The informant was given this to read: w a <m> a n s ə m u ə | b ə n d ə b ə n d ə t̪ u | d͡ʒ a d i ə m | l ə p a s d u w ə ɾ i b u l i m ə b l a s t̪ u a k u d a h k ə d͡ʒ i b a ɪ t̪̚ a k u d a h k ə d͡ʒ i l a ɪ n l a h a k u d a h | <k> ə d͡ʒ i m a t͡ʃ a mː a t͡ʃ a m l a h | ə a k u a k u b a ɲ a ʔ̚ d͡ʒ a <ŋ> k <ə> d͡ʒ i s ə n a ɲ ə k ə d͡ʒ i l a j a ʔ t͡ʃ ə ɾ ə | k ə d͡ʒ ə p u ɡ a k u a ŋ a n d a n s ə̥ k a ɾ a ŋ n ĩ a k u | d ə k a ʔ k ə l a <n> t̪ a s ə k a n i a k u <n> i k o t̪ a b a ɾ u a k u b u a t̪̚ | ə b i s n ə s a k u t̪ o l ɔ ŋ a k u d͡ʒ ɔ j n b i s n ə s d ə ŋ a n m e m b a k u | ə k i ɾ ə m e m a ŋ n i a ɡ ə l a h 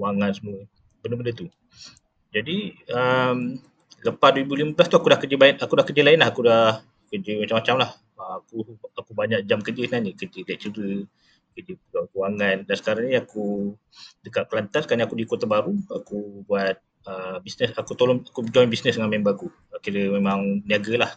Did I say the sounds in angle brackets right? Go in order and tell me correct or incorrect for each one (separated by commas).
incorrect, correct, incorrect, correct, correct, incorrect